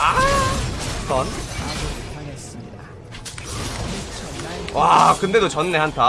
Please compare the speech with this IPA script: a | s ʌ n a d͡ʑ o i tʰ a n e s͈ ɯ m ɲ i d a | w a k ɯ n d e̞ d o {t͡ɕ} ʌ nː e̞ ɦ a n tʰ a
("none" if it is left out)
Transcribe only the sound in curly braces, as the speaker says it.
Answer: t͡ɕ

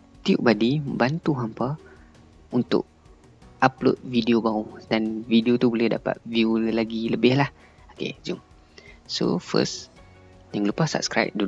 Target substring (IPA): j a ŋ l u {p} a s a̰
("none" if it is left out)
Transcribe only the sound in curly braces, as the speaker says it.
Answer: p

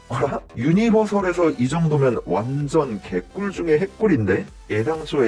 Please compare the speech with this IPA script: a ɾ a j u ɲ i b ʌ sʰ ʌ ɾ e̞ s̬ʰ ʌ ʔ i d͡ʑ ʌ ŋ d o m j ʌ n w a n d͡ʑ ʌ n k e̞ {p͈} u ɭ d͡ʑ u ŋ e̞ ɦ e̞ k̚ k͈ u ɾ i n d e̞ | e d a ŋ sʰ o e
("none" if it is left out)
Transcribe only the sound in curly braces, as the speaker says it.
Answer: k͈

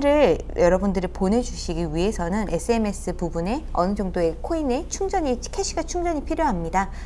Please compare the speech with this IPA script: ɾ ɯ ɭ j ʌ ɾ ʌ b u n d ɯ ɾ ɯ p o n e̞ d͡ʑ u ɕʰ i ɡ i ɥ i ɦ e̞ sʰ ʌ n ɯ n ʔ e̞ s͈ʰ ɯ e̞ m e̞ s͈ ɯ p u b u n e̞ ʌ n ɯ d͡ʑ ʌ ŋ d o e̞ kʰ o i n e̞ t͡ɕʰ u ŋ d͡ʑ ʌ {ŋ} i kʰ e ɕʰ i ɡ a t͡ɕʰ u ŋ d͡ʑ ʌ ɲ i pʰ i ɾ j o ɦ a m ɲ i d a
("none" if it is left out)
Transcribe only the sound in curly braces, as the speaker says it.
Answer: ɲ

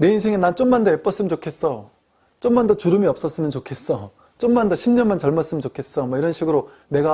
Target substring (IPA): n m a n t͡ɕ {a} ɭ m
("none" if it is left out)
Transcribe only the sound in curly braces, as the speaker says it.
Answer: ʌ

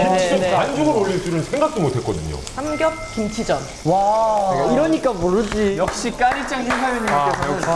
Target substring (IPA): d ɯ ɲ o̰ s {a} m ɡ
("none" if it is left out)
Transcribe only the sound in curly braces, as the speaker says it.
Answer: a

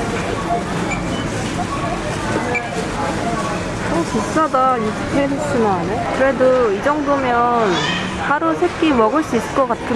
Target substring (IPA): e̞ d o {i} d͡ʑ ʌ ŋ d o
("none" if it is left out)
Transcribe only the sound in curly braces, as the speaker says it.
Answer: i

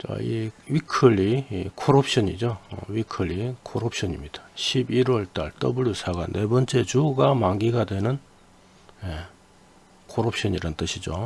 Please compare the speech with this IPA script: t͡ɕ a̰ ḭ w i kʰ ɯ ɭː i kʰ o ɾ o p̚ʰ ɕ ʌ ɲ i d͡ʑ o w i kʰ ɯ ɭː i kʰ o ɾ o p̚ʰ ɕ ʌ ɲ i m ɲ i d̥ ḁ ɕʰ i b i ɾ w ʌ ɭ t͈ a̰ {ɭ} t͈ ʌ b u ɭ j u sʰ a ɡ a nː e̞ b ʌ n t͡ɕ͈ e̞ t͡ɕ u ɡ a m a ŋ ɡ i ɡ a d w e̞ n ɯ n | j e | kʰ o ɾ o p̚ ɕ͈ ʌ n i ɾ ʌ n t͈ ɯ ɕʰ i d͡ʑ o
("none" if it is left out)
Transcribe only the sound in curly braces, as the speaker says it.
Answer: ɭ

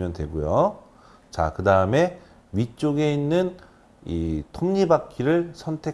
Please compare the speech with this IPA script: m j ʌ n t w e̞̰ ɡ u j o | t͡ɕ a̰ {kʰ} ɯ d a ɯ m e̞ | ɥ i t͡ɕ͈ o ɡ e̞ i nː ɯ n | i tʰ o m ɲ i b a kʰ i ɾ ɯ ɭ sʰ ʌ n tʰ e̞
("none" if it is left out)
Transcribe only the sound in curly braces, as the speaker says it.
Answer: k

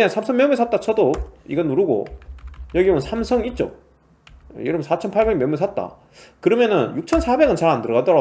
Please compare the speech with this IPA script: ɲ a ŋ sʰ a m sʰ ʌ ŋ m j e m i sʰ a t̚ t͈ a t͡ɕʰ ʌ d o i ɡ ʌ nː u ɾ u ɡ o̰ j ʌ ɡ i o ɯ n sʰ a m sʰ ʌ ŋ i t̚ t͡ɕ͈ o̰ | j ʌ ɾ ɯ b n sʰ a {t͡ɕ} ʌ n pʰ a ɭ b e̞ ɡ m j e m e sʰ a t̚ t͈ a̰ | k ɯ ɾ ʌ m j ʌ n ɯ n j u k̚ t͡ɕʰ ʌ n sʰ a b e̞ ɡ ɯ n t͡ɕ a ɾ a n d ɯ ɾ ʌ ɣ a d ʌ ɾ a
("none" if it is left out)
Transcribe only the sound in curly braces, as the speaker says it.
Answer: t͡ɕʰ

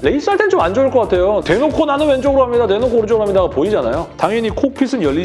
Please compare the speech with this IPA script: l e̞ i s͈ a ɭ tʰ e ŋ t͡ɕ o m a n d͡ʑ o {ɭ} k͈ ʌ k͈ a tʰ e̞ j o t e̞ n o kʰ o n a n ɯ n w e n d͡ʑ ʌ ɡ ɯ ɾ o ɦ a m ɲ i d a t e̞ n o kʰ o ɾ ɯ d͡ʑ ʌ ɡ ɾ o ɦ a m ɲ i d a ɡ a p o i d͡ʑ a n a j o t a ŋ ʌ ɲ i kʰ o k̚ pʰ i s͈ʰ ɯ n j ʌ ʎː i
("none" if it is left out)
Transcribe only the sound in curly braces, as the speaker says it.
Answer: ɭ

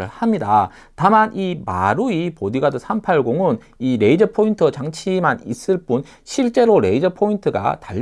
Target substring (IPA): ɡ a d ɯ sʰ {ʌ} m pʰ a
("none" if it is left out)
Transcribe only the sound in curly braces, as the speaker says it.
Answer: a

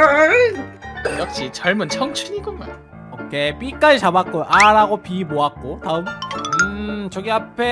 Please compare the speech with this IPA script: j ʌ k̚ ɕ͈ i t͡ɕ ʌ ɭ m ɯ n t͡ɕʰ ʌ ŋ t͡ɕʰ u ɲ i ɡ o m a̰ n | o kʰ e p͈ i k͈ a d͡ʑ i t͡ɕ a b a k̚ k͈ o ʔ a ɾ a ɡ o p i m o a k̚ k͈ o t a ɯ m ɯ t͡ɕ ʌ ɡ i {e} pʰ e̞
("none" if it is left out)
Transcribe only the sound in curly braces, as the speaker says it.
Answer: a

